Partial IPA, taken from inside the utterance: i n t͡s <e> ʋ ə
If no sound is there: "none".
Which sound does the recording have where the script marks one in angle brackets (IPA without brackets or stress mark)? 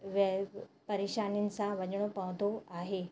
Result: a